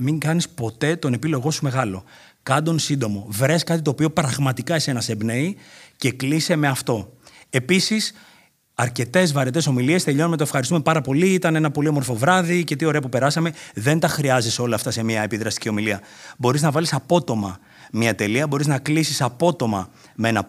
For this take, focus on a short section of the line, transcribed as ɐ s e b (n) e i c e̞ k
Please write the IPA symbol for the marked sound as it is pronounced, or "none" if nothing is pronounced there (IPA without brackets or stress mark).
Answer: n